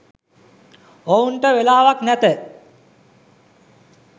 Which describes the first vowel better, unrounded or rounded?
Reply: rounded